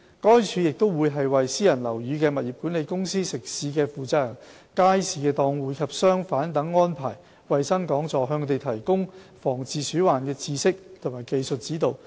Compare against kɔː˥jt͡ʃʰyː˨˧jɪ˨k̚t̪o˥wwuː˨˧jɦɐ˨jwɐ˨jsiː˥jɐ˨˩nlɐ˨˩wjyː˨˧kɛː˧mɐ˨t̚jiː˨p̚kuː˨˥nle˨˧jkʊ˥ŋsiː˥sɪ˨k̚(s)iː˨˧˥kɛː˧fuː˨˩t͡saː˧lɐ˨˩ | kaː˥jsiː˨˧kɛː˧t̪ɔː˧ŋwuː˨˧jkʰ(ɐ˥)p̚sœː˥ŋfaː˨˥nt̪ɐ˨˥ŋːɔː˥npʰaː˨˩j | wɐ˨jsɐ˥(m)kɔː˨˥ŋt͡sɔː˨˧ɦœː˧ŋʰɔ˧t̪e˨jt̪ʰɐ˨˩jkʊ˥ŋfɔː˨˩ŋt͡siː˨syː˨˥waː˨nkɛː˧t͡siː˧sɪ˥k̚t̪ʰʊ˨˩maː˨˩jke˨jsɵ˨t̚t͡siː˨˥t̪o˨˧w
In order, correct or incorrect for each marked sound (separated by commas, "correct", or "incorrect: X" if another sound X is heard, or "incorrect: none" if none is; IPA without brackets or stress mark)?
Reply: correct, incorrect: ɐ˨, incorrect: ŋ